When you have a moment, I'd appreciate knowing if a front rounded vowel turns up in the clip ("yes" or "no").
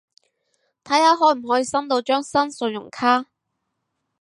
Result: yes